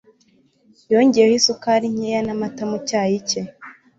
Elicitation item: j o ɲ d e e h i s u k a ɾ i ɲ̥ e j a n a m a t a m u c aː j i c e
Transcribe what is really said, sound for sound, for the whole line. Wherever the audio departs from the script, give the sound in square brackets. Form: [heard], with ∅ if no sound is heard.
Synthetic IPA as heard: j o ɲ [ɟ] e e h i s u k a ɾ i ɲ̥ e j a n a m a t a m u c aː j i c e